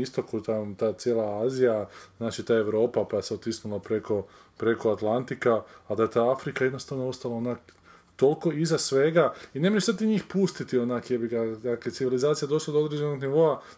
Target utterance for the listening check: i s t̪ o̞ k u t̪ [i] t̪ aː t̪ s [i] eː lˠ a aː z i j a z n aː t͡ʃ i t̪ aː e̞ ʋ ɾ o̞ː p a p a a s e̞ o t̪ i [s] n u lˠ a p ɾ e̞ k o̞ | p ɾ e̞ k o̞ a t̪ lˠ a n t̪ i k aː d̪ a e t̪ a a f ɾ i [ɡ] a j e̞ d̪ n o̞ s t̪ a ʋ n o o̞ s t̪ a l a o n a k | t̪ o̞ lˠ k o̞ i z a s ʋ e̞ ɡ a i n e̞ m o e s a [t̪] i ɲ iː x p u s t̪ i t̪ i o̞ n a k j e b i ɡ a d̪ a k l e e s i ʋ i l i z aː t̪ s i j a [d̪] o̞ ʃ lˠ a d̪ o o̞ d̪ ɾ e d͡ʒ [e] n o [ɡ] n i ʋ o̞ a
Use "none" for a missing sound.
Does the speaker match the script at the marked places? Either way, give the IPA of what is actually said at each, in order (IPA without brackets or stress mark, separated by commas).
a, j, s, k, t̪, d̪, e, ɡ